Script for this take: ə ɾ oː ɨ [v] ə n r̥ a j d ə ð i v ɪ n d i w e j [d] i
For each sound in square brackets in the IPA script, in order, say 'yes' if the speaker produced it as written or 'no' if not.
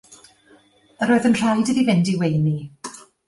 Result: no, no

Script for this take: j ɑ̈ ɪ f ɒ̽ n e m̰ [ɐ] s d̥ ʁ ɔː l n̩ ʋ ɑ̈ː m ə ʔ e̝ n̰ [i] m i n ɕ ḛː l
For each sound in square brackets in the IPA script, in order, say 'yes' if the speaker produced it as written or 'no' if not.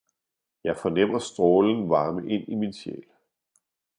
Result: yes, yes

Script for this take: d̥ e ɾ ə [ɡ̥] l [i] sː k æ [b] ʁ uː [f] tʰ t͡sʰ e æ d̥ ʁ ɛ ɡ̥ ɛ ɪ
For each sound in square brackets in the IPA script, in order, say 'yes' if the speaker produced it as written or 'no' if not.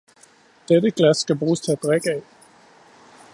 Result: yes, no, yes, no

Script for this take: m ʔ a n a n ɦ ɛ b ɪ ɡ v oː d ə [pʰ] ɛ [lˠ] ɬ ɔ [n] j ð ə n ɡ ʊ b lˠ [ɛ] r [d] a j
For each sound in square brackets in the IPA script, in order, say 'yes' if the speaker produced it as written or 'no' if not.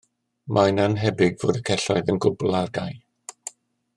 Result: no, no, no, no, no

